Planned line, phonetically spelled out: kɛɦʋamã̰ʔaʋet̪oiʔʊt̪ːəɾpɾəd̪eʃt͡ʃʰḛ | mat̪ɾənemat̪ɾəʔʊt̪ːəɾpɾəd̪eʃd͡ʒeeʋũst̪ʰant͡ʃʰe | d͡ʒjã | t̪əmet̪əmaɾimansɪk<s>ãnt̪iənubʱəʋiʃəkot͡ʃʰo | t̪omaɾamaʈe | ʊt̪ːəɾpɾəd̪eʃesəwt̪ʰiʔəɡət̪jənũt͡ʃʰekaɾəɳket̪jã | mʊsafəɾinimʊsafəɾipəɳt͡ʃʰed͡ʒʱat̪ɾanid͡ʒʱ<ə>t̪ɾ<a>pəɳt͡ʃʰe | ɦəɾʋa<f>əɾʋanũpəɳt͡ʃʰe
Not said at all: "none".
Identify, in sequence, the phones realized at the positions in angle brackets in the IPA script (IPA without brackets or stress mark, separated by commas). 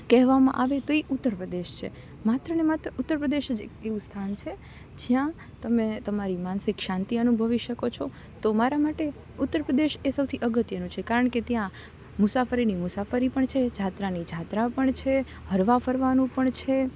ʃ, a, a, f